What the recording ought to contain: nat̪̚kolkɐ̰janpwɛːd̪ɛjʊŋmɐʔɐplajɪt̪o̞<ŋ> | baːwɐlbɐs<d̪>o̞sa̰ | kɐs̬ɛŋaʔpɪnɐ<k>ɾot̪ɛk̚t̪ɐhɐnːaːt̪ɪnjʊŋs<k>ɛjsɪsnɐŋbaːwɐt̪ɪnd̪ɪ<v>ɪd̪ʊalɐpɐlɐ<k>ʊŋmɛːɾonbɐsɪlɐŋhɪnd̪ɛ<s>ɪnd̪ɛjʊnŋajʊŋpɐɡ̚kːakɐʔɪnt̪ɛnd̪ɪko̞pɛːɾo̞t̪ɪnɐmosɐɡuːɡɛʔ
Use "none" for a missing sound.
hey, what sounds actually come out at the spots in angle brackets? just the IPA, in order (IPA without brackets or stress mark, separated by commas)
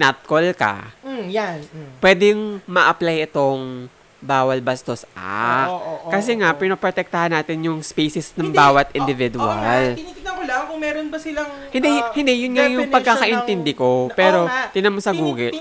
ŋ, t̪, p, p, v, k, h